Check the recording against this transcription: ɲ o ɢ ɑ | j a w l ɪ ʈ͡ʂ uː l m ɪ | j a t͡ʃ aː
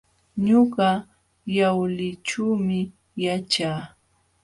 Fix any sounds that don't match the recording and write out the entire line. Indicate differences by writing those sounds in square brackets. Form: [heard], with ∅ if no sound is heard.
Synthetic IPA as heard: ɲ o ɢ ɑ | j a w l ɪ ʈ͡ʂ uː [∅] m ɪ | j a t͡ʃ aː